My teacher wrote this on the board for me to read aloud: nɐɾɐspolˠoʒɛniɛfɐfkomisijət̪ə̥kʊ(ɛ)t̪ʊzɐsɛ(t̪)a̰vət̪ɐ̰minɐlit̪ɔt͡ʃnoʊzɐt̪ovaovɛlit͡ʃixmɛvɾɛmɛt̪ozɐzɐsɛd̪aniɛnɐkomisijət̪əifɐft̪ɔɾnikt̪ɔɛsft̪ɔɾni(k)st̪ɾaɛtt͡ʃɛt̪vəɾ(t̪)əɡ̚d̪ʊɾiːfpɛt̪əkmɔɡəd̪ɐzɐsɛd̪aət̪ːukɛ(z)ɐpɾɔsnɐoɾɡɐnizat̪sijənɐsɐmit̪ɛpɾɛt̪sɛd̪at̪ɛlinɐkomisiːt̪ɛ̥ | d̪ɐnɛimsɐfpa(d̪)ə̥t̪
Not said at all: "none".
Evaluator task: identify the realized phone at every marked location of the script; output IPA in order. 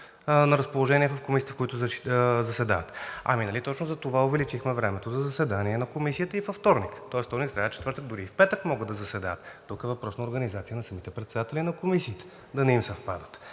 i, d̪, k, t̪, v, d̪

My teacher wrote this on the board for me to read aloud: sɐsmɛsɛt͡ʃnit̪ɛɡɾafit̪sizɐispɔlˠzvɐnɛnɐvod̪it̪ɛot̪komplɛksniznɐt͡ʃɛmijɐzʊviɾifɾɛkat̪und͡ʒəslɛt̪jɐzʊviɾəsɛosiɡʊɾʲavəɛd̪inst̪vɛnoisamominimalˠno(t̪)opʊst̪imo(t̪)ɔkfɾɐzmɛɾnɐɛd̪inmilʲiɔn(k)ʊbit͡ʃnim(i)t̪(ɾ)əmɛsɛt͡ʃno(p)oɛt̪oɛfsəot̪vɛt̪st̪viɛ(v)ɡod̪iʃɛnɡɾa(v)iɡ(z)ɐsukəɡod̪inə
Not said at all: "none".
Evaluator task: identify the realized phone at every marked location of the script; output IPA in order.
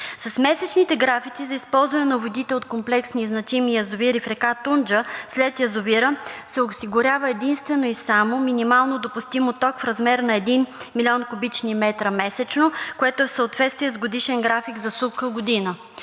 d̪, t̪, k, ɛ, ɾ, k, z, f, z

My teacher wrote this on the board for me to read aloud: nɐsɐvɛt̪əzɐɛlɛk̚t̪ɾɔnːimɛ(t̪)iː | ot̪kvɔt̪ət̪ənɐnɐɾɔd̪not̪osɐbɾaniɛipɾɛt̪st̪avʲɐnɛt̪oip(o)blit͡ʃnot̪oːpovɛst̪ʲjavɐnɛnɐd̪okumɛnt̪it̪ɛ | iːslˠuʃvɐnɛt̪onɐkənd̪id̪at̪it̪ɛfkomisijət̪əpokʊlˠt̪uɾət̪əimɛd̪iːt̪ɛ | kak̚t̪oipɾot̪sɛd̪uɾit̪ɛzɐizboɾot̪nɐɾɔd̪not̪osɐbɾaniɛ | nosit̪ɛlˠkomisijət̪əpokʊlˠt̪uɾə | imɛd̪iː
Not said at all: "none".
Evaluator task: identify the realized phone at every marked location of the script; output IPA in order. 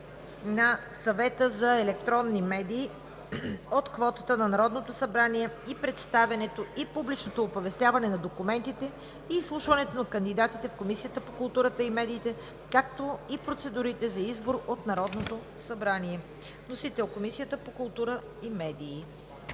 d̪, u

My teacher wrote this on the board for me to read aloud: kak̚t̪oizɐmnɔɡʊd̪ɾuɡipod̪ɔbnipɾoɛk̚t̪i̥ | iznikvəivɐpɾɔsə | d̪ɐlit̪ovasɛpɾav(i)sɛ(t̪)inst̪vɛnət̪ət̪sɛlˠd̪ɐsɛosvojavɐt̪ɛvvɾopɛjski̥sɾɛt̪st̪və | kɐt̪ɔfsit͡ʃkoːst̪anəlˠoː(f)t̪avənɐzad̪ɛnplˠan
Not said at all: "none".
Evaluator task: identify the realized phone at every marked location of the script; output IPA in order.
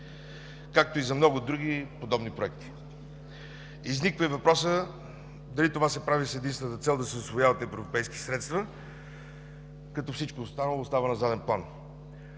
i, d̪, s

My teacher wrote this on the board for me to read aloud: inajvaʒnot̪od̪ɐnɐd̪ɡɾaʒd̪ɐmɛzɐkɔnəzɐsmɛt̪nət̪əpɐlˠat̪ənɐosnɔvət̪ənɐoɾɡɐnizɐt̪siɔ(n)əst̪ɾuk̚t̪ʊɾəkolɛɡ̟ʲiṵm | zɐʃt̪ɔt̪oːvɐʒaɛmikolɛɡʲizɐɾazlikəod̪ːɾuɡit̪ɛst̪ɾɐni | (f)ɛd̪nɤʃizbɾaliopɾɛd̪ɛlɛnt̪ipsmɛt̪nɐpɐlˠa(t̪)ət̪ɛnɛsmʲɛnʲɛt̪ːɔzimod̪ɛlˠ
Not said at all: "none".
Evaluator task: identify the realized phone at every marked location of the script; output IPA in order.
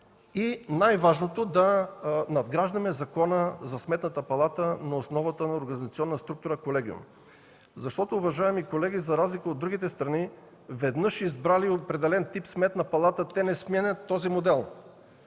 nː, v, t̪

